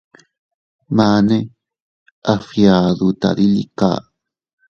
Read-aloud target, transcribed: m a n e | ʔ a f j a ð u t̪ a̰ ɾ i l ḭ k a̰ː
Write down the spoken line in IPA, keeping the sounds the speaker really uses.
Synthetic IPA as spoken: m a n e | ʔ a f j a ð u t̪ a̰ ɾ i l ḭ k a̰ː